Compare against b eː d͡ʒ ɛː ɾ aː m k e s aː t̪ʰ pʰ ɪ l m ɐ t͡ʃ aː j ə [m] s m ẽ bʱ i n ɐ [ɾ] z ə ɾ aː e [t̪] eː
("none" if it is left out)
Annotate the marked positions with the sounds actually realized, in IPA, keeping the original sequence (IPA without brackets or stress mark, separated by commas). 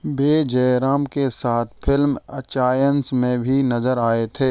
n, none, t̪ʰ